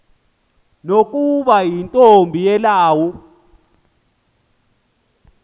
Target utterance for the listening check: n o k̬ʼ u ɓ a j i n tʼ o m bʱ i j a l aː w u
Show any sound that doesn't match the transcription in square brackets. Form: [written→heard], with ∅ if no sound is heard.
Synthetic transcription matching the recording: n o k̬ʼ u ɓ a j i n tʼ o m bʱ i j [a→ɛ] l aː w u